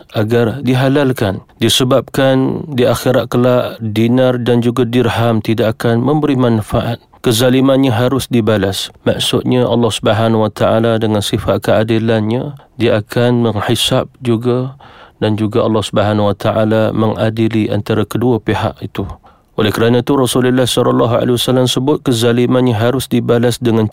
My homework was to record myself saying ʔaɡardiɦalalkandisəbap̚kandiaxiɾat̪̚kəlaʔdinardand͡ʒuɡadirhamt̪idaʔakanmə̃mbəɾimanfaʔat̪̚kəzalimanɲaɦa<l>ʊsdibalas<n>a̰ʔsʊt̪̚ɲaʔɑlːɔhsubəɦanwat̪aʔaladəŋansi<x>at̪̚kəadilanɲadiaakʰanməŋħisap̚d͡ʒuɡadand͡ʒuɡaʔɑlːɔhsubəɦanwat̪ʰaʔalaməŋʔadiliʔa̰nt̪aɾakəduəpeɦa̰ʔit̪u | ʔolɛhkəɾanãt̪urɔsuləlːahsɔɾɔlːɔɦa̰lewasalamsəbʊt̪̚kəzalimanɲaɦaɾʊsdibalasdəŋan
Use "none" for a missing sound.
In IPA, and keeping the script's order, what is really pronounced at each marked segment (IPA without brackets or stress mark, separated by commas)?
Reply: ɾ, m, f